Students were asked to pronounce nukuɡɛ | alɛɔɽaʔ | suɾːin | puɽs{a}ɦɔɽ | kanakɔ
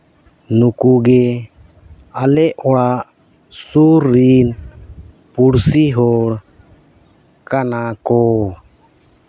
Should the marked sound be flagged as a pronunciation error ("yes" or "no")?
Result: yes